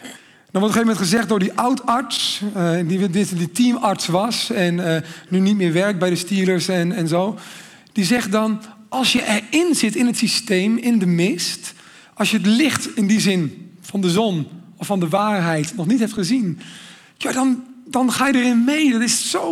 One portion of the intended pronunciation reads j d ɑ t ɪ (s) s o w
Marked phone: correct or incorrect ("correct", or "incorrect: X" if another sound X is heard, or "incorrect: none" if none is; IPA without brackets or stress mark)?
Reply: correct